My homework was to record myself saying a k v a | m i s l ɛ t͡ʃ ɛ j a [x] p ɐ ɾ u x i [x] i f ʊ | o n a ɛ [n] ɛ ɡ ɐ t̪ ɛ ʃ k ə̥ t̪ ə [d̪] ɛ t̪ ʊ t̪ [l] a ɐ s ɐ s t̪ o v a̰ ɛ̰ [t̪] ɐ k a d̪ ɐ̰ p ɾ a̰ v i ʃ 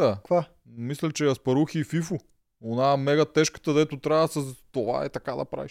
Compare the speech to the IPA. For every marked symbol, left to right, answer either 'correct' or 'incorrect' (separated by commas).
incorrect, incorrect, incorrect, correct, incorrect, correct